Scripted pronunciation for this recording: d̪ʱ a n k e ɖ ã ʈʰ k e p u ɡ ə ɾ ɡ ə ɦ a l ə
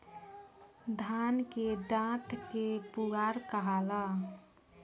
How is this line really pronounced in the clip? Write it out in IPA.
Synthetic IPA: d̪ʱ a n k e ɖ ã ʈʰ k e p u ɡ a ɾ k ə ɦ a l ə